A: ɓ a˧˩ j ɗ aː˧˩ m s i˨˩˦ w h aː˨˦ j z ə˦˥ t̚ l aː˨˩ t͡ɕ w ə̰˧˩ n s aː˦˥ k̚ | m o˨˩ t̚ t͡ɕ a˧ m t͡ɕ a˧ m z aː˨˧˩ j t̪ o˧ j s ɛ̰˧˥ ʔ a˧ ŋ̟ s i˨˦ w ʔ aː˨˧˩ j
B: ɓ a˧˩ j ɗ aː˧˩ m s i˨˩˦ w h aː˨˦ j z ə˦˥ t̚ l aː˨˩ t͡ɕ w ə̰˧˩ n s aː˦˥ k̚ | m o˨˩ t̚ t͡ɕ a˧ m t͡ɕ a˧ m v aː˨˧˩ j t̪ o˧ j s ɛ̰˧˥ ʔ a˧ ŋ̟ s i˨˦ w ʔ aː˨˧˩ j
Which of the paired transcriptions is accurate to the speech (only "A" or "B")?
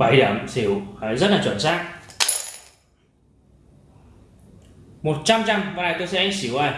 B